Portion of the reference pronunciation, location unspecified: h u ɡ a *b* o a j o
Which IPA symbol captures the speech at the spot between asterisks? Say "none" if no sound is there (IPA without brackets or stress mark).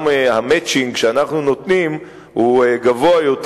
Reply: v